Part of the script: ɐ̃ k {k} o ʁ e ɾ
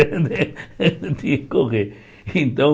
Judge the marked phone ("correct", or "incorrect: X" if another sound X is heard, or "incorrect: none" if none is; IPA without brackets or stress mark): correct